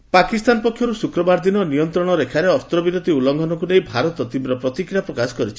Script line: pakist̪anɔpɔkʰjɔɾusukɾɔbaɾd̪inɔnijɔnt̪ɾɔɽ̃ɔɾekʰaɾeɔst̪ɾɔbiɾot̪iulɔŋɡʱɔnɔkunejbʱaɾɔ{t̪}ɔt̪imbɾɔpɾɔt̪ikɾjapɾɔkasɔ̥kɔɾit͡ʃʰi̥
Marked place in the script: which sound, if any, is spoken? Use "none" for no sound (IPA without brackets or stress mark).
t̪